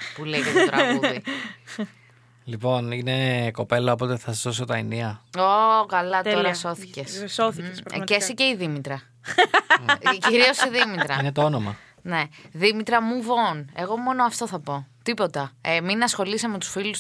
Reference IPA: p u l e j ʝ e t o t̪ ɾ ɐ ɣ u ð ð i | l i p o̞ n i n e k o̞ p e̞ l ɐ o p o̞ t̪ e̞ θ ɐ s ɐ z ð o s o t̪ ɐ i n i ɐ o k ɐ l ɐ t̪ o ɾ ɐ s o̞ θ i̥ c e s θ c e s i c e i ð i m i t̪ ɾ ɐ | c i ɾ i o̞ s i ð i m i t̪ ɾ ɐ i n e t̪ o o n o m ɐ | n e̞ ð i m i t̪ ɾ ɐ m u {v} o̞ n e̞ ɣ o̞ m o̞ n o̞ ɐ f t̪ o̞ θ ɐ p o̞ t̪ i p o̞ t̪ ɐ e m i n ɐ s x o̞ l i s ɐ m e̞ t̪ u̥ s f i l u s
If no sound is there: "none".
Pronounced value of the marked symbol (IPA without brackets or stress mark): v